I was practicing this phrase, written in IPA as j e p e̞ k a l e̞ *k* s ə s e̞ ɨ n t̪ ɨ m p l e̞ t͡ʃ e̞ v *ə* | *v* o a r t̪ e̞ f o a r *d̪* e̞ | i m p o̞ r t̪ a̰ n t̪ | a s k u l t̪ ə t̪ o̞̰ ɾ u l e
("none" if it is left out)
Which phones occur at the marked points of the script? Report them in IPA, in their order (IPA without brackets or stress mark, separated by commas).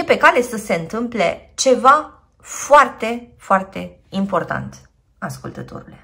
none, a, f, t̪